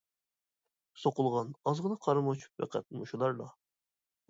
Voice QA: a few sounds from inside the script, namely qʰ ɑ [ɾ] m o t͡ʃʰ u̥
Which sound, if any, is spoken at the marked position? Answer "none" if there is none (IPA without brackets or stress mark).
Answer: ɾ